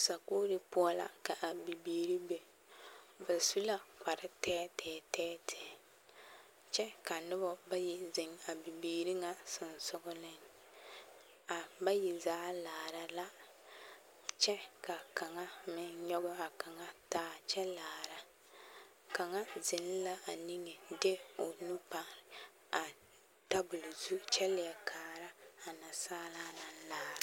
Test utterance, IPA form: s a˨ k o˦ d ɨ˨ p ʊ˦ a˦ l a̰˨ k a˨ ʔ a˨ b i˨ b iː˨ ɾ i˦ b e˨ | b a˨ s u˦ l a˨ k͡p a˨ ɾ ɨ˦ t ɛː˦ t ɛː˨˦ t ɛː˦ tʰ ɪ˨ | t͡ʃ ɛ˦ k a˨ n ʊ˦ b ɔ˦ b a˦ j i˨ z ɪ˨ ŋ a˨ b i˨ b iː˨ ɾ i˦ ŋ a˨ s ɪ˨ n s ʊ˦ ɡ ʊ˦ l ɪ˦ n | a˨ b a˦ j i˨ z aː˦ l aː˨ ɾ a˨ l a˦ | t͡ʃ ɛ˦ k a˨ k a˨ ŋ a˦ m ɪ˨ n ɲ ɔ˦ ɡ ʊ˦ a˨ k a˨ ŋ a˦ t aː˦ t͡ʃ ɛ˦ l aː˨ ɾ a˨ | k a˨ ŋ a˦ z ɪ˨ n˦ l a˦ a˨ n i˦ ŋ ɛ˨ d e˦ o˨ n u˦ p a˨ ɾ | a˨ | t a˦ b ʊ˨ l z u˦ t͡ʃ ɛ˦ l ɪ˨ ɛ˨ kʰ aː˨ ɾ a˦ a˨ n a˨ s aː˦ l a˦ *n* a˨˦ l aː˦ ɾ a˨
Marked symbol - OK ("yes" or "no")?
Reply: yes